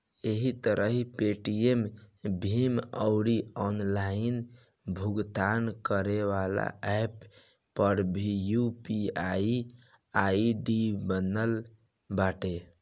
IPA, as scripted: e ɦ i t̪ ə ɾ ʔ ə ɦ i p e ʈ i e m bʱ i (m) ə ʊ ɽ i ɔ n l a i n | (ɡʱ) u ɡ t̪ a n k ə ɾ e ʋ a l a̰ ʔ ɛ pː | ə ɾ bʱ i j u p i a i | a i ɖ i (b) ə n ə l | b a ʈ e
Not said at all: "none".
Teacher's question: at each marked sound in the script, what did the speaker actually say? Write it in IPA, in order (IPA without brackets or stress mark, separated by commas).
m, bʱ, b